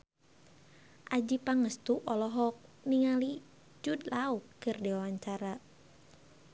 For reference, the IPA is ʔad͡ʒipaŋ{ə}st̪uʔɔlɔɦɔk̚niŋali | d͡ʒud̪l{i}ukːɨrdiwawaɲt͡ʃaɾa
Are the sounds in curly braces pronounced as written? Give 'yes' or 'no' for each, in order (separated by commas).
yes, no